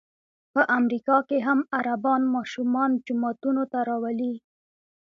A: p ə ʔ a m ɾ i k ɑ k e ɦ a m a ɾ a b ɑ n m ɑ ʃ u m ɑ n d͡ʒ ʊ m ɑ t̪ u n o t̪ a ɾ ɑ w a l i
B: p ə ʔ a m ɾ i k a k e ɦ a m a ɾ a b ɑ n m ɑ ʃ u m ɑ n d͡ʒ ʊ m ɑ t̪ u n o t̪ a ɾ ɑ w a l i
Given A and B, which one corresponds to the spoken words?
A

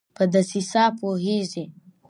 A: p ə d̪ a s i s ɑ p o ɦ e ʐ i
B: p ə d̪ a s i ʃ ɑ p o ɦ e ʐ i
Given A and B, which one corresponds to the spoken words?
A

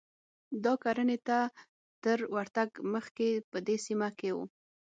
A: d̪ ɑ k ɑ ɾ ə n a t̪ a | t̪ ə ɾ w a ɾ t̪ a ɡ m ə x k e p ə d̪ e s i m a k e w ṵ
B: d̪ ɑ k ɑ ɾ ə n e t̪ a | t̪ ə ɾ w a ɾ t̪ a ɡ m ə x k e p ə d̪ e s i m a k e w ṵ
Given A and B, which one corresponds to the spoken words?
B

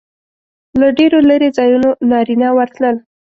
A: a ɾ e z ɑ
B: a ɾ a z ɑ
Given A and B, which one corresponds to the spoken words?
A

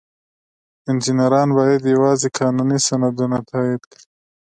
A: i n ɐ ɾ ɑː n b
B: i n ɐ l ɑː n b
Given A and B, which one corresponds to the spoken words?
A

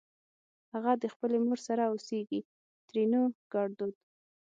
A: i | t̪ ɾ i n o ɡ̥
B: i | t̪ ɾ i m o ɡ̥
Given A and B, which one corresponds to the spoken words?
A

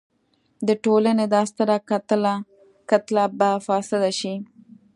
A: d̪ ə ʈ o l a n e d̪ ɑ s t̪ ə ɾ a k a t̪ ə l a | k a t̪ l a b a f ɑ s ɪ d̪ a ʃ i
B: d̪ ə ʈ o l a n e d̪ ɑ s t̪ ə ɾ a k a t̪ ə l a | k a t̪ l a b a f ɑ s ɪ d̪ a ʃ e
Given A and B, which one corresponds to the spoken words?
A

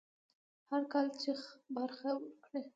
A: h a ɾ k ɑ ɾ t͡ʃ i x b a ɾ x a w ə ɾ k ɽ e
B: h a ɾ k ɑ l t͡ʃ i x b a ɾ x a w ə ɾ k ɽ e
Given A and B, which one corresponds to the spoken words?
B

